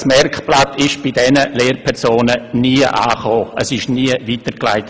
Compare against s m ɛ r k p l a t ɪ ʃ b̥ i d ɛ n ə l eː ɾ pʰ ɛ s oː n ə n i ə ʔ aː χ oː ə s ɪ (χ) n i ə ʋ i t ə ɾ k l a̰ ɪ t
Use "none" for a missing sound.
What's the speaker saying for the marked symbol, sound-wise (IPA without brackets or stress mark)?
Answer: ʃ